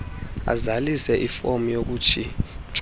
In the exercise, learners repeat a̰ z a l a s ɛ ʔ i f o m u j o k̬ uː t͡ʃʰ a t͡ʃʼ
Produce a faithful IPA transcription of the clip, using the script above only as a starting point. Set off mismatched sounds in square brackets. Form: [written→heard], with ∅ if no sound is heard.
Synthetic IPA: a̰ z a l [a→i] s ɛ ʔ i f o m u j o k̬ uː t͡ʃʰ [a→i] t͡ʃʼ